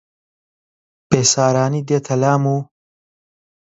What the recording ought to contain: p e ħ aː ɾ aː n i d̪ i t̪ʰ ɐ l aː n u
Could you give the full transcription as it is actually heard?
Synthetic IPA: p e s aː ɾ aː n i d̪ e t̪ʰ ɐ l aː m u